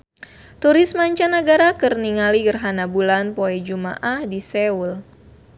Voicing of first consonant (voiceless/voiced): voiceless